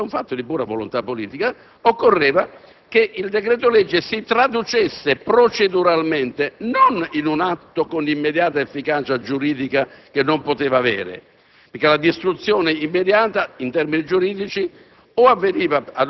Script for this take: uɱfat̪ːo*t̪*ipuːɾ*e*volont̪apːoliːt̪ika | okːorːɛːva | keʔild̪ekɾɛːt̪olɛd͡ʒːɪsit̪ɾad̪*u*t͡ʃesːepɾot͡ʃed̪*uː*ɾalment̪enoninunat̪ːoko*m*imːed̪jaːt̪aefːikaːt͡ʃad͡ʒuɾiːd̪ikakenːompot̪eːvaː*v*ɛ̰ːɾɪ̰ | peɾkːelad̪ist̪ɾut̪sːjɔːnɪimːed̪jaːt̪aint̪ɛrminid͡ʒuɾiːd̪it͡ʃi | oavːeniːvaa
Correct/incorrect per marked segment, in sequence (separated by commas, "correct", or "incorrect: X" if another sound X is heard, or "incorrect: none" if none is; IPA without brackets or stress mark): incorrect: d̪, incorrect: a, correct, incorrect: u, incorrect: n, correct